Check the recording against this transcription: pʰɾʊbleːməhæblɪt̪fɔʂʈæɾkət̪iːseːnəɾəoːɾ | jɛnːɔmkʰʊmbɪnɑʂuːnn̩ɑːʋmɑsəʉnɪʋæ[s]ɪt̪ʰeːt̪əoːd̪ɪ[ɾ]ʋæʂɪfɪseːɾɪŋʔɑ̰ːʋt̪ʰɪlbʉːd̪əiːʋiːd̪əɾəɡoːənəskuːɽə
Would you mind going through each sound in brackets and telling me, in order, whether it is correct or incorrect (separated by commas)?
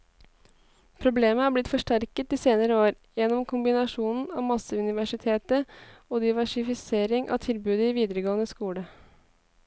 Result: incorrect, incorrect